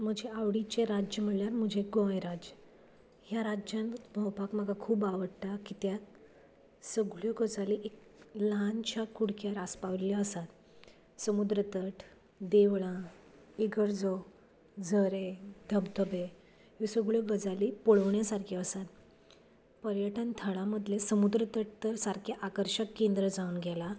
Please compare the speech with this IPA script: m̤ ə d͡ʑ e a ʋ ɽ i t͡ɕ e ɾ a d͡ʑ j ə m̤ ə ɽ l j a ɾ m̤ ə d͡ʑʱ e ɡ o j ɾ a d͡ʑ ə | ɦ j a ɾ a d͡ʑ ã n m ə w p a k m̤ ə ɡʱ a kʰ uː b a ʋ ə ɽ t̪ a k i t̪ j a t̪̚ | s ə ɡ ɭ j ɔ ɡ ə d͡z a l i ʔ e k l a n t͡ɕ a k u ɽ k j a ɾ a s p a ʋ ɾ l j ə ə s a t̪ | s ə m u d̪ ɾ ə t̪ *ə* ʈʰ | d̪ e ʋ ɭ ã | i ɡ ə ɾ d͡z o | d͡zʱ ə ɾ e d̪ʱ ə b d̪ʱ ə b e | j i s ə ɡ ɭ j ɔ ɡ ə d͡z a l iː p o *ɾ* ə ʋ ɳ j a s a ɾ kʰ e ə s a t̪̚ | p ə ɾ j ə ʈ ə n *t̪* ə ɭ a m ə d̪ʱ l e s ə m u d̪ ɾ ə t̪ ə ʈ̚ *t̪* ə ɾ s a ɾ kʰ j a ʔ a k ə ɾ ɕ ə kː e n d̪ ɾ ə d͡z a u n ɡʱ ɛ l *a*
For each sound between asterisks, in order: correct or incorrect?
correct, incorrect: ɭ, incorrect: t̪ʰ, correct, correct

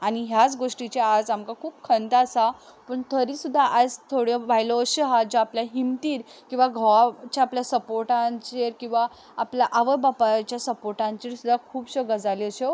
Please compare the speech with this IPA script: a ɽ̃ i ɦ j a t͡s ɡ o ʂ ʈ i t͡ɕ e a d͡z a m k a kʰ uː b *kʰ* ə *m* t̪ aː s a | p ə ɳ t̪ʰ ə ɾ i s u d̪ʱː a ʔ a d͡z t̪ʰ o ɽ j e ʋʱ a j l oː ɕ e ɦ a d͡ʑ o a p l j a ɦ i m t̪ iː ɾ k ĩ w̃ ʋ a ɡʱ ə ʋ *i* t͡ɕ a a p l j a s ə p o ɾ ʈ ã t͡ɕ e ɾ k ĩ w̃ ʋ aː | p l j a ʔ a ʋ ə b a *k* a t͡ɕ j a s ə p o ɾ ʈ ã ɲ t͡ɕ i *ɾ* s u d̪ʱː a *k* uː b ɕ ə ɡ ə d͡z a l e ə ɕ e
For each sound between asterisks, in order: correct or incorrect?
correct, incorrect: n, incorrect: a, incorrect: p, correct, incorrect: kʰ

